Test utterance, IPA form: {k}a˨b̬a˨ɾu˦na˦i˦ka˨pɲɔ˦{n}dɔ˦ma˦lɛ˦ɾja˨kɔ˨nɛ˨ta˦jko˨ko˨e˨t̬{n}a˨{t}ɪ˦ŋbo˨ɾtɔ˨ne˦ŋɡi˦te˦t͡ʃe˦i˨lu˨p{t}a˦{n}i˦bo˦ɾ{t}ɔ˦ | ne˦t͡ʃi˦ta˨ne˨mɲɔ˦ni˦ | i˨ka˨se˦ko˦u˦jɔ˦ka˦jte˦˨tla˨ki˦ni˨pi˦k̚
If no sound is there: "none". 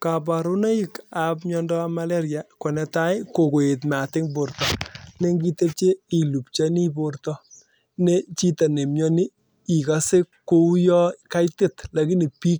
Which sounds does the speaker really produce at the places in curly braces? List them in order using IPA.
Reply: k, n, m, t, t͡ʃ, n, t

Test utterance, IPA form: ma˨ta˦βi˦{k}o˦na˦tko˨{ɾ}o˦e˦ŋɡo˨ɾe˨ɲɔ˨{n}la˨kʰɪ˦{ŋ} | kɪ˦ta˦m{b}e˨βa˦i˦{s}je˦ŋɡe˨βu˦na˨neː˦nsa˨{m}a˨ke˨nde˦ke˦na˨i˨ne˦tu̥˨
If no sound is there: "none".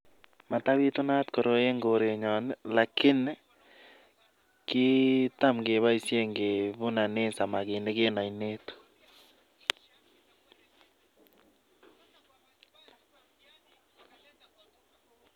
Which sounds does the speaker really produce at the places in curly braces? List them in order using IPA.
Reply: t, ɾ, n, n, ɡ, s, m

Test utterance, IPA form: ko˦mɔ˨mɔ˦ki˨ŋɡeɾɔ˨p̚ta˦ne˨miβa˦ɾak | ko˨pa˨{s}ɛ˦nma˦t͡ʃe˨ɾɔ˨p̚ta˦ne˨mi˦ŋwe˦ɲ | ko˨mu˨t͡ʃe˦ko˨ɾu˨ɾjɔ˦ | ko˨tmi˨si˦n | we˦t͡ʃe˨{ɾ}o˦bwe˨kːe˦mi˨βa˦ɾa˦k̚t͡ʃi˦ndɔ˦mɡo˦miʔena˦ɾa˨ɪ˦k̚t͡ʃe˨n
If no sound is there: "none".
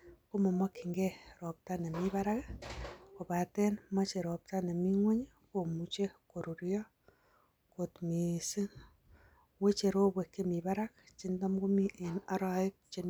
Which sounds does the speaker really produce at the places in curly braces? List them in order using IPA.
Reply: t, ɾ

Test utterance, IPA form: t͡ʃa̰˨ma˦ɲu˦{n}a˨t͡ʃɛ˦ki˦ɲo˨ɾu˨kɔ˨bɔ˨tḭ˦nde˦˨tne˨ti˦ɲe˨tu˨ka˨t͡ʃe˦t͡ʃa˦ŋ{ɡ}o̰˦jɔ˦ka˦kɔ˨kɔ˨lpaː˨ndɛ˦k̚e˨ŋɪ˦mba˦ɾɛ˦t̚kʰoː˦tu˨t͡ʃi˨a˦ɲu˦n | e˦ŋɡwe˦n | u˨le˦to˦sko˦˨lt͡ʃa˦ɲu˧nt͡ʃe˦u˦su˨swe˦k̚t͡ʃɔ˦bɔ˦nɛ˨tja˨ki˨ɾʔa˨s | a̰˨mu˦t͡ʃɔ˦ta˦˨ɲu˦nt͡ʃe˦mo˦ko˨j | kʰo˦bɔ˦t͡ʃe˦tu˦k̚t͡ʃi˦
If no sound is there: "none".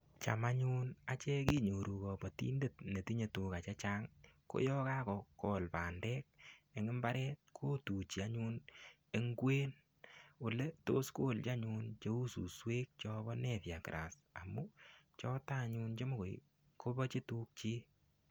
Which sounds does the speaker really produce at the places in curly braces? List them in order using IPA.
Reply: n, k

